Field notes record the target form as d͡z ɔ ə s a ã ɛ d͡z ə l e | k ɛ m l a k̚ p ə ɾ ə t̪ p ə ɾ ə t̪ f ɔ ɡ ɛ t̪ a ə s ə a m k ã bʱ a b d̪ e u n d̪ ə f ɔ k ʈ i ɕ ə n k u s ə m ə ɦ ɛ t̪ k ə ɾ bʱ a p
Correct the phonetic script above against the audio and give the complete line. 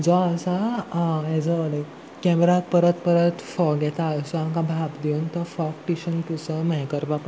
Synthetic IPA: d͡z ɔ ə s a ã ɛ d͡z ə l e | k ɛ m ɾ a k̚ p ə ɾ ə t̪ p ə ɾ ə t̪ f ɔ ɡ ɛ t̪ a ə s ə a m k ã bʱ a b d̪ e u n t̪ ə f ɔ k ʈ i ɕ ə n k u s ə m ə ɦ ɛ k ə ɾ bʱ a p

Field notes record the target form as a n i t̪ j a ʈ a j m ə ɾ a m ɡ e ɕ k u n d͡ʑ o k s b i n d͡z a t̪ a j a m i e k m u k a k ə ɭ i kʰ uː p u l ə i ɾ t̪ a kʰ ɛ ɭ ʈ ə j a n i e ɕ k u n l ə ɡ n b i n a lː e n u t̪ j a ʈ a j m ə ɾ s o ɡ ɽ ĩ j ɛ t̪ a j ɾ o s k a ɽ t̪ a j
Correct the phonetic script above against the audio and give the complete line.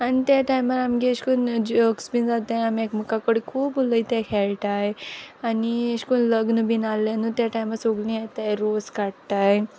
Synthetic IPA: a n i t̪ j a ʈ a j m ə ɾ a m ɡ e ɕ k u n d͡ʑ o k s b i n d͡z a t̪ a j a m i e k m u k a k ə ɽ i kʰ uː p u l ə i t̪ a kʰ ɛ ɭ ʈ a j a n i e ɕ k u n l ə ɡ n b i n a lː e n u t̪ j a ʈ a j m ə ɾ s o ɡ l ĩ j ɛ t̪ a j ɾ o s k a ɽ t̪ a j

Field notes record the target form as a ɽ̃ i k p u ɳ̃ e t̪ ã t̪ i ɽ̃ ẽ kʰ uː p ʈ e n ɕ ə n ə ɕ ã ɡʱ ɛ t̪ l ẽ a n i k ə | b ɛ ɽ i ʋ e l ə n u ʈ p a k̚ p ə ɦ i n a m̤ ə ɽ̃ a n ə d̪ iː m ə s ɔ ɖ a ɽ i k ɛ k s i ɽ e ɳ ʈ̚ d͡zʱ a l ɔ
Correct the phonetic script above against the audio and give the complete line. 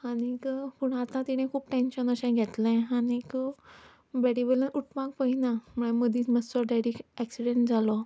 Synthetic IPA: a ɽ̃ i k p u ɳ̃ a t̪ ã t̪ i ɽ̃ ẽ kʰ uː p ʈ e n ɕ ə n ə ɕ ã ɡʱ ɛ t̪ l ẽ a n i k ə | b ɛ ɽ i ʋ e l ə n u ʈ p a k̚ p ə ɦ i n a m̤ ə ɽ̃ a m ə d̪ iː m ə s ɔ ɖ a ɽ i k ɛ k s i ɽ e ɳ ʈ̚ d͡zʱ a l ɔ

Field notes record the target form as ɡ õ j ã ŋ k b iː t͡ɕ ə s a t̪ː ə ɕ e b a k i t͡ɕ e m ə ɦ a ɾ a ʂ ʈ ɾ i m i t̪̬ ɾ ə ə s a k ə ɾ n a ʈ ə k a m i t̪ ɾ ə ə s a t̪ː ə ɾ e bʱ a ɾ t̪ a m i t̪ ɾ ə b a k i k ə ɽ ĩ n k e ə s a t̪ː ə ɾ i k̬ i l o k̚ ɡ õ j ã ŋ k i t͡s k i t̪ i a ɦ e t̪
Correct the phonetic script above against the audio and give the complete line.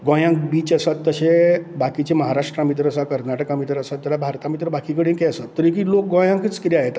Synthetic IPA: ɡ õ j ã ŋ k b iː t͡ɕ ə s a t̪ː ə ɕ e b a k i t͡ɕ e m ə ɦ a ɾ a ʂ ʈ ɾ a m i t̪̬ ɾ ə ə s a k ə ɾ n a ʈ ə k a m i t̪ ɾ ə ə s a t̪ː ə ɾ a bʱ a ɾ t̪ a m i t̪ ɾ ə b a k i k ə ɽ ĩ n k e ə s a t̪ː ə ɾ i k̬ i l o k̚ ɡ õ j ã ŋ k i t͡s k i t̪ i a ɦ e t̪

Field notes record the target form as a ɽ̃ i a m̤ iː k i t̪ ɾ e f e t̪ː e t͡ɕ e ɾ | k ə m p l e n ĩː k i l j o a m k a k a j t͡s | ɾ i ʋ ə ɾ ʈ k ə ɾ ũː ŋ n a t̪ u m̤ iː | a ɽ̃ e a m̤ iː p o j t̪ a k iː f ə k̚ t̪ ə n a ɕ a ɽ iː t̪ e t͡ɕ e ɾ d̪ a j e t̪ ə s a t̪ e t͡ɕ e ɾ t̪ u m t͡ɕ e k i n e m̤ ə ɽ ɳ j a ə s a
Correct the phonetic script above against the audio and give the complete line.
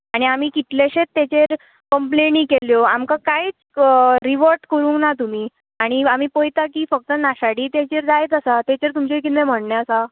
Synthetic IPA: a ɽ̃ i a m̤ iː k i t̪ l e ɕ e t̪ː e t͡ɕ e ɾ | k ə m p l e n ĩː k e l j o a m k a k a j t͡s | ɾ i ʋ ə ɾ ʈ k ə ɾ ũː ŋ n a t̪ u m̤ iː | a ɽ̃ i a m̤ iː p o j t̪ a k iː f ə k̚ t̪ ə n a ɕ a ɽ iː t̪ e t͡ɕ e ɾ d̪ a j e t̪ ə s a t̪ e t͡ɕ e ɾ t̪ u m t͡ɕ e k i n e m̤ ə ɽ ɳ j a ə s a

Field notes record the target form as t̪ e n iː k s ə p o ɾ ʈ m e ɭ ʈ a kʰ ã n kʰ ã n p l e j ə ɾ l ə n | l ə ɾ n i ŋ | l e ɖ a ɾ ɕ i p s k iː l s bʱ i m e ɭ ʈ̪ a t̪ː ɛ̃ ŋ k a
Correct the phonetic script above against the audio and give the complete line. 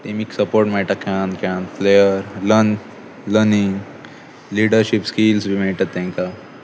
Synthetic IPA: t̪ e m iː k s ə p o ɾ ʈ m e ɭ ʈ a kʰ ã n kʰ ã n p l e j ə ɾ l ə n | l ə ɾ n i ŋ | l i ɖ ə ɾ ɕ i p s k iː l s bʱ i m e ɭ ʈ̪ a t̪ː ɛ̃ ŋ k a

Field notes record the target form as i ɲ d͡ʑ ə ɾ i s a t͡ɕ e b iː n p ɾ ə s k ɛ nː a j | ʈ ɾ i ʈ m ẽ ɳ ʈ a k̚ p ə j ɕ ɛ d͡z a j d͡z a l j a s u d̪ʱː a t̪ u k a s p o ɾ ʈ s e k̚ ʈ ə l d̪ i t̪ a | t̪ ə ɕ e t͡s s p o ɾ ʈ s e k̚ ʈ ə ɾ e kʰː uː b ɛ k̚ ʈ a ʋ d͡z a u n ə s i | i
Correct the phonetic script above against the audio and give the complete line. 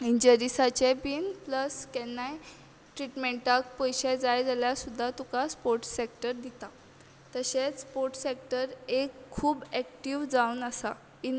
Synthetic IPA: i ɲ d͡ʑ ə ɾ i s a t͡ɕ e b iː n p l ə s k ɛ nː a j | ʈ ɾ i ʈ m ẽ ɳ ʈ a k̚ p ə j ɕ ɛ d͡z a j d͡z a l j a s u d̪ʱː a t̪ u k a s p o ɾ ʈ s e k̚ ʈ ə ɾ d̪ i t̪ a | t̪ ə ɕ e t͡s s p o ɾ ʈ s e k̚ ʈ ə ɾ e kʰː uː b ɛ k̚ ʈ i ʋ d͡z a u n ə s a | i

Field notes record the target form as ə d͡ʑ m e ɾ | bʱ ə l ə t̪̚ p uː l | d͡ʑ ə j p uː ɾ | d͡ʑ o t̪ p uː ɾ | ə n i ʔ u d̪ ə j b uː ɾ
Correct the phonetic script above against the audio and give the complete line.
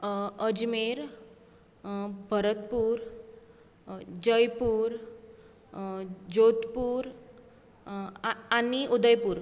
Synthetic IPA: ə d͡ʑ m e ɾ | bʱ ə ɾ ə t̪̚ p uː ɾ | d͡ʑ ə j p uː ɾ | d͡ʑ o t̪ p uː ɾ | a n i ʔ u d̪ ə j p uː ɾ

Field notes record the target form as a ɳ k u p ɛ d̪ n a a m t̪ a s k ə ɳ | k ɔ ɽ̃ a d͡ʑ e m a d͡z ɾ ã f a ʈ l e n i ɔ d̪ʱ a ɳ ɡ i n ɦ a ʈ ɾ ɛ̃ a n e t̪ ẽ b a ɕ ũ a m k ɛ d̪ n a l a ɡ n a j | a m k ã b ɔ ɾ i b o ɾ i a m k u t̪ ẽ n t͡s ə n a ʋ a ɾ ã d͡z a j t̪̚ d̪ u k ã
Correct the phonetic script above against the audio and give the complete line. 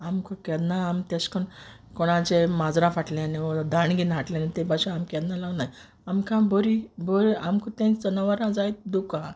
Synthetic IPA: a m k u k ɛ d̪ n a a m t̪ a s k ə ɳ | k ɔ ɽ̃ a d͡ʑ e m a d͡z ɾ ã f a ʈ l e n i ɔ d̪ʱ a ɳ ɡ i n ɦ a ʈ l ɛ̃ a n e t̪ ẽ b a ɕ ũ a m k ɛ d̪ n a l a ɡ n a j | a m k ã b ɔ ɾ i b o ɾ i a m k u t̪ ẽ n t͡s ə n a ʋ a ɾ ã d͡z a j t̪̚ d̪ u k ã

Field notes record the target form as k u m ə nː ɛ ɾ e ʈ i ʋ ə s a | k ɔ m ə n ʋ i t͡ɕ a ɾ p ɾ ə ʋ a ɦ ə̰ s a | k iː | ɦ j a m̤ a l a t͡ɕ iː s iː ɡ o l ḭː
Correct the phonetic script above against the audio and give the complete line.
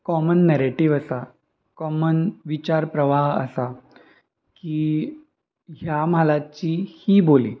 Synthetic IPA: k ɔ m ə nː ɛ ɾ e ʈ i ʋ ə s a | k ɔ m ə n ʋ i t͡ɕ a ɾ p ɾ ə ʋ a ɦ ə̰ s a | k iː | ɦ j a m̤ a l a t͡ɕ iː h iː b o l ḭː

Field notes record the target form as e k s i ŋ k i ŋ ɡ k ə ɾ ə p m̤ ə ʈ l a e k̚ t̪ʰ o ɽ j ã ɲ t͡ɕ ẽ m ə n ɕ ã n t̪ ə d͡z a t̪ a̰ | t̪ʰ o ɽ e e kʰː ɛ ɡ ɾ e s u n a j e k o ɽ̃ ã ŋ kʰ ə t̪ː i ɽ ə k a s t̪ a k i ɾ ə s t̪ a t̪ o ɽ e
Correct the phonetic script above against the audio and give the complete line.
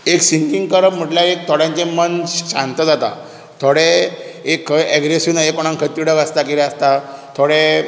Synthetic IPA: e k s i ŋ k i ŋ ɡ k ə ɾ ə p m̤ ə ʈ l a e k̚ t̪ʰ o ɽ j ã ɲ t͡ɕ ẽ m ə n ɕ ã n t̪ ə d͡z a t̪ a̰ | t̪ʰ o ɽ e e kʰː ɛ ɡ ɾ e s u n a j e k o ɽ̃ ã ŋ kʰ ə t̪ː i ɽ ə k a s t̪ a k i ɾ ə s t̪ a t̪ʰ o ɽ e

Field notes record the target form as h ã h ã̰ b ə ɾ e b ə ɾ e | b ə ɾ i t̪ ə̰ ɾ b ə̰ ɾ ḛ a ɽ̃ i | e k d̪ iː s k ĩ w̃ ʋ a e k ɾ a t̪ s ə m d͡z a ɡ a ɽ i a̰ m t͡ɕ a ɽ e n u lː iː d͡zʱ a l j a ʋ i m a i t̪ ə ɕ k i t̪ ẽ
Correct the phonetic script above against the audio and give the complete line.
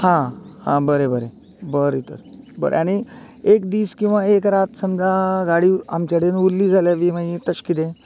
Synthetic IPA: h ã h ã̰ b ə ɾ e b ə ɾ e | b ə ɾ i t̪ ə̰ ɾ b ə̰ ɾ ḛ a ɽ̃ i | e k d̪ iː s k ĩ w̃ ʋ a e k ɾ a t̪ s ə m d͡z a ɡ a ɽ i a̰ m t͡ɕ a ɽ e n u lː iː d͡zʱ a l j a ʋ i m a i t̪ ə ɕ k i t̪ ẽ

